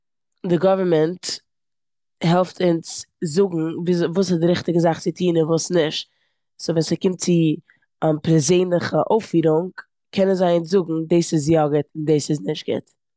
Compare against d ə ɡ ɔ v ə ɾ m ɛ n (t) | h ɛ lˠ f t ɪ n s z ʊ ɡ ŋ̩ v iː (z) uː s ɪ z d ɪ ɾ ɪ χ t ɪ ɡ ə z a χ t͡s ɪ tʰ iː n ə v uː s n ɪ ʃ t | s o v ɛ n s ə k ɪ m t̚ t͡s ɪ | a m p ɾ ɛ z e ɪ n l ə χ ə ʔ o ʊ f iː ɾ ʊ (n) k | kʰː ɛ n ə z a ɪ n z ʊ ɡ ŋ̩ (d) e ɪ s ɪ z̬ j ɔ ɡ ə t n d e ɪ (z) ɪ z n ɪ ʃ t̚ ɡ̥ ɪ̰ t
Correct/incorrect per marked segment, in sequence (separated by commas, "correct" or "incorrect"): correct, incorrect, incorrect, correct, incorrect